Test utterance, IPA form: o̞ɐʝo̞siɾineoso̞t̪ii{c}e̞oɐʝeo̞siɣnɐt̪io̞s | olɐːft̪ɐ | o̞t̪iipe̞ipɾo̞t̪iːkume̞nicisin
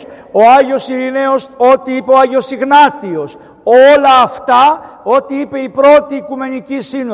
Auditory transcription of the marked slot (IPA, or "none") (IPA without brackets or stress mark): p